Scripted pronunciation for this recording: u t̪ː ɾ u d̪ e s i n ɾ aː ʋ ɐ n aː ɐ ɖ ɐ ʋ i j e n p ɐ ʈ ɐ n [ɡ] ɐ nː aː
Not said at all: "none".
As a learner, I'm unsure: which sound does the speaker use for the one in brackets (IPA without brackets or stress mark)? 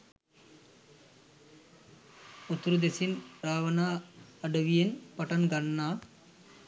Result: ɡ